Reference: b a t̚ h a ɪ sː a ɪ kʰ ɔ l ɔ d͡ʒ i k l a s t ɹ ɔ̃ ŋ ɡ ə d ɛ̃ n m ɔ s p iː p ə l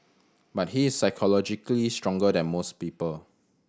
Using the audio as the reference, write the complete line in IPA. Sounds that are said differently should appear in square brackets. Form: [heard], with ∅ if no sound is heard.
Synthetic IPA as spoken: b a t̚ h [i] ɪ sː a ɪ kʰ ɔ l ɔ d͡ʒ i k l [i] s t ɹ ɔ̃ ŋ ɡ ə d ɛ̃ n m [o] s p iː p ə l